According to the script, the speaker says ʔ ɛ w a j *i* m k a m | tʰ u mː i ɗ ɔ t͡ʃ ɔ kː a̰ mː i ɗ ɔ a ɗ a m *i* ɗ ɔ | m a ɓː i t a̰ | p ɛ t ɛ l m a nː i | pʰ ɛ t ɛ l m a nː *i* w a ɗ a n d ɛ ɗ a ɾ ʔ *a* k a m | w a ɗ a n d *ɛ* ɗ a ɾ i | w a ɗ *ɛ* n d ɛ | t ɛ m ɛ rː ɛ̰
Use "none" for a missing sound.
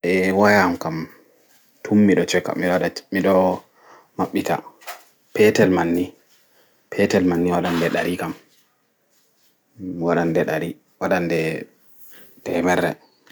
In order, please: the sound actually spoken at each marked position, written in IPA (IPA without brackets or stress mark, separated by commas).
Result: a, i, i, i, ɛ, a